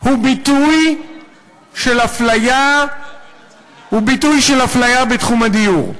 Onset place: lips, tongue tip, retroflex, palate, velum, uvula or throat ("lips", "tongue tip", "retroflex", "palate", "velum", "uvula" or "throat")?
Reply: throat